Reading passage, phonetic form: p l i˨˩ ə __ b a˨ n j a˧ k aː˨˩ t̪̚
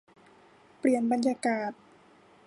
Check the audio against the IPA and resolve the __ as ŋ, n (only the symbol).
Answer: n